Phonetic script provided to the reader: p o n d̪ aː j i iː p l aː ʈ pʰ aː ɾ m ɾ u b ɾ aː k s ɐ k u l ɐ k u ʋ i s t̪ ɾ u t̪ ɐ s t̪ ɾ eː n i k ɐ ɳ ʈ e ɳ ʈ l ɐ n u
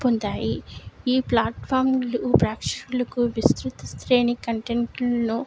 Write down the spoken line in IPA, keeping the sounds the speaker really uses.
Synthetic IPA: p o n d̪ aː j i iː p l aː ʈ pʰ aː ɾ m l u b ɾ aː k ʂ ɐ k u l ɐ k u ʋ i s t̪ ɾ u t̪ ɐ s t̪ ɾ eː n i k ɐ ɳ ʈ e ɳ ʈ l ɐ n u

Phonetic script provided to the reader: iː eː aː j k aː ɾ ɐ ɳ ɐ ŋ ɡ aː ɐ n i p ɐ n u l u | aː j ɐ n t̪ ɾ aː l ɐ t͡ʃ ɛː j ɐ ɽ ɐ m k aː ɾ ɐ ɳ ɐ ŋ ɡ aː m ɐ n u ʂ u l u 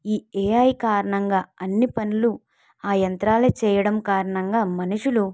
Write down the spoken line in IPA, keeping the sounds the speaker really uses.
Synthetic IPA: iː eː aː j k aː ɾ ɐ ɳ ɐ ŋ ɡ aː ɐ nː i p ɐ n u l u | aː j ɐ n t̪ ɾ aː l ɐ t͡ʃ ɛː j ɐ ɽ ɐ m k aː ɾ ɐ ɳ ɐ ŋ ɡ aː m ɐ n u ʂ u l u

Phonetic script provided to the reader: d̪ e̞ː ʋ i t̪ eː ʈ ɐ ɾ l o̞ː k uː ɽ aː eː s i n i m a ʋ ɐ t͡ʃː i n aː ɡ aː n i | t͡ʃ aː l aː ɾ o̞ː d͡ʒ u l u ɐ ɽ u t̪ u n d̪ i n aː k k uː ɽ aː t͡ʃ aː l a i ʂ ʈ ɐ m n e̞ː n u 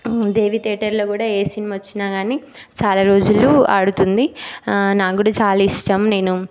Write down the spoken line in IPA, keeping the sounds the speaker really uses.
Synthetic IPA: d̪ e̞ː ʋ i t̪ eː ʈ ɐ ɾ l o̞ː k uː ɽ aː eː s i n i m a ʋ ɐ t͡ʃː i n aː ɡ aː n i | t͡ʃ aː l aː ɾ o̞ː d͡ʒ u l u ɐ ɽ u t̪ u n d̪ i n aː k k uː ɽ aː t͡ʃ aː l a i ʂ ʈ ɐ m n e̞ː n u

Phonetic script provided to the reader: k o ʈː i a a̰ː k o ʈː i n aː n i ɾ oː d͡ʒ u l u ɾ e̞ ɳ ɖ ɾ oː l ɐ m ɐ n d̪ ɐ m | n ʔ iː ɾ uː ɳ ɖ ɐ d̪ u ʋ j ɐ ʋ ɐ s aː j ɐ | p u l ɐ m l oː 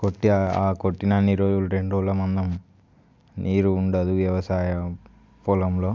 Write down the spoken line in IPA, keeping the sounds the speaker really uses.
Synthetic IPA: k o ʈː i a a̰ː k o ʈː i n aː n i ɾ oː d͡ʒ u l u ɾ e̞ ɳ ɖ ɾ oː l ɐ m ɐ n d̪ ɐ m | n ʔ iː ɾ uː ɳ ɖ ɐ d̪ u ʋ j ɐ ʋ ɐ s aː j ɐ | p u l ɐ m l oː

